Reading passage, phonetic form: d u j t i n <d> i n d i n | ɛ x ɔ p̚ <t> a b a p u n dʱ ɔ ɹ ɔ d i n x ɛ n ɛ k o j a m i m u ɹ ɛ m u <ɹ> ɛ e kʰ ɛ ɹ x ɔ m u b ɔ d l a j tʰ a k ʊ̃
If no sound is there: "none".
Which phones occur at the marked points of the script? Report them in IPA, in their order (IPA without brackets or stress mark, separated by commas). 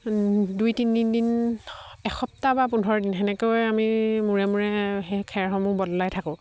d, t, ɹ